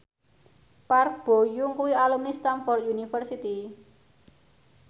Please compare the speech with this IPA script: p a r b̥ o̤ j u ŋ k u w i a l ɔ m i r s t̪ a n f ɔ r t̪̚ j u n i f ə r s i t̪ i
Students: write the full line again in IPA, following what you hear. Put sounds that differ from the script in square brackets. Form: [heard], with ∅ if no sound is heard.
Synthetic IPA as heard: p a r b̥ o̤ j u ŋ k u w i a l [u] m i [∅] s t̪ a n f ɔ r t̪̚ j u n i f ə r s i t̪ i